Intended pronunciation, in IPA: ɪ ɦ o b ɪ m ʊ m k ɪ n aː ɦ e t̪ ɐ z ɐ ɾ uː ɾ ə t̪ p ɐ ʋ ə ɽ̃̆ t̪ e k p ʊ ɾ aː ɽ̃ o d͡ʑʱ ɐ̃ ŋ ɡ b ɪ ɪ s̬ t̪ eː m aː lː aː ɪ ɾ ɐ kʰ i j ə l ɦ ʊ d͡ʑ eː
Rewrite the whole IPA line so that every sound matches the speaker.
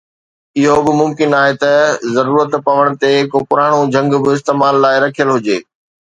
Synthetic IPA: ɪ ɦ o b ɪ m ʊ m k ɪ n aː ɦ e t̪ ɐ z ɐ ɾ uː ɾ ə t̪ p ɐ ʋ ə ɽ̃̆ t̪ e k p ʊ ɾ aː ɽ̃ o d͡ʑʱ ɐ̃ ŋ ɡ b ɪ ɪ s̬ t̪ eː m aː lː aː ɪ ɾ ɐ kʰ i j ə l ɦ ʊ d͡ʑ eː